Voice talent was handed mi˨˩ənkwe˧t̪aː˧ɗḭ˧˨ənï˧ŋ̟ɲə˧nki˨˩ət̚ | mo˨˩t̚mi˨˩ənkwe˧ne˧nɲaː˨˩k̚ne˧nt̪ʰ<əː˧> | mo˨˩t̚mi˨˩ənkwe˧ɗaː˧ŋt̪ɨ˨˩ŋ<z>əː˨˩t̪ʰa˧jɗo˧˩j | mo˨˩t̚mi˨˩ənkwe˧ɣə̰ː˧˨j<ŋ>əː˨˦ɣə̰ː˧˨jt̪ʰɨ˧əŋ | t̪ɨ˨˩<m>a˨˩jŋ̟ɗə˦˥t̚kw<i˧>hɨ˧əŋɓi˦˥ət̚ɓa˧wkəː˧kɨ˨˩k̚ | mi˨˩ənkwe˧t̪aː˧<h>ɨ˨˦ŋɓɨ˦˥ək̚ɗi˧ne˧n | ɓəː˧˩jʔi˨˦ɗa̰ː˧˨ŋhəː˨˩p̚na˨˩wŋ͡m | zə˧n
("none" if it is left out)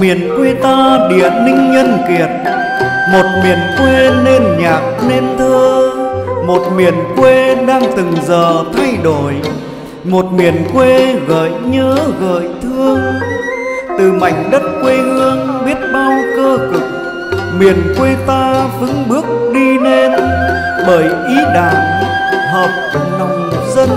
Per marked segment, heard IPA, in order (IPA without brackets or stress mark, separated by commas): əː˧, z, ɲ, m, e˧, f